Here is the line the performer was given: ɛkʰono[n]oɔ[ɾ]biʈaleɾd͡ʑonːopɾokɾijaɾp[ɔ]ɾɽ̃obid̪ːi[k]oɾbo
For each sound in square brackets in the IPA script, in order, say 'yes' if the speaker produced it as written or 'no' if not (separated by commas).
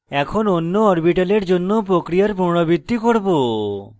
no, yes, no, yes